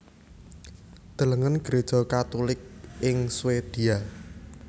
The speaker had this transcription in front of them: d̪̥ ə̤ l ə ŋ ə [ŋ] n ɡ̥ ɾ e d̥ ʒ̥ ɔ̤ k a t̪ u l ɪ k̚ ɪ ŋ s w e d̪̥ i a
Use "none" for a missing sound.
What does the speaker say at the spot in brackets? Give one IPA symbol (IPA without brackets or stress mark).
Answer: none